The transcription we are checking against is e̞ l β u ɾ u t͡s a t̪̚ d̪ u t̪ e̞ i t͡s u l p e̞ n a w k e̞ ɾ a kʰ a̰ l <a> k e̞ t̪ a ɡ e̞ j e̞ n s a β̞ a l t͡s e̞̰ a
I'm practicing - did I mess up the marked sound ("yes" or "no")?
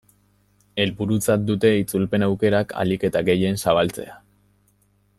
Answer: yes